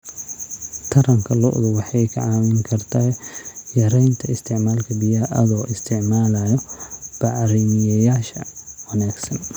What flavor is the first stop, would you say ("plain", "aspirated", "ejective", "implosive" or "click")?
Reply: aspirated